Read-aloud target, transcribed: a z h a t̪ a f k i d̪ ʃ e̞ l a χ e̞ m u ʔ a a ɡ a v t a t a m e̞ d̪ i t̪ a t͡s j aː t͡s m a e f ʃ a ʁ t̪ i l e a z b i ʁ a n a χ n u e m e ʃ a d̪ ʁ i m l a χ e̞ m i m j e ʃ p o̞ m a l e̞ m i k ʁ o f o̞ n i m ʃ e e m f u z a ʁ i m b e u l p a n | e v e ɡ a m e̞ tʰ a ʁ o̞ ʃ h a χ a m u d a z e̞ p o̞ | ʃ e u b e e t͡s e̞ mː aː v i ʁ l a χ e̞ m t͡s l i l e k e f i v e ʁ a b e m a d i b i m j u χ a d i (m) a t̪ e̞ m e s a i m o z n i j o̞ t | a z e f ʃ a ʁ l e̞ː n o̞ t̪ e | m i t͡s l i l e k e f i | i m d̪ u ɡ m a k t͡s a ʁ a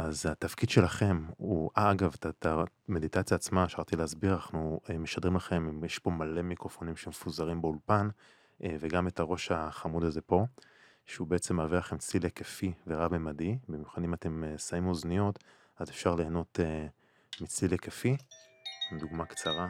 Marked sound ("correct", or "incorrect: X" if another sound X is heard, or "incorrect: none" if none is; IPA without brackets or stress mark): correct